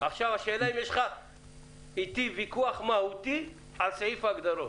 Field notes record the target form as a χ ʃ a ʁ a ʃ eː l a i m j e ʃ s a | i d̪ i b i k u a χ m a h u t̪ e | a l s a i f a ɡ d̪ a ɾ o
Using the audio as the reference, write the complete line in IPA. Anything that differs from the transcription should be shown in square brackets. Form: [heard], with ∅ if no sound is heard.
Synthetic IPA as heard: a χ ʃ a [v] a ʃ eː l a i m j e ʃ [χ] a | i [t̪] i [v] i k u a χ m a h u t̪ [i] | a l s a i f a ɡ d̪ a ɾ o